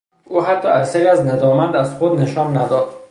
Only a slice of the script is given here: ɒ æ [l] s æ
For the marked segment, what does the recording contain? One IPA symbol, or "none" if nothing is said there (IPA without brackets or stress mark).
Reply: ɾ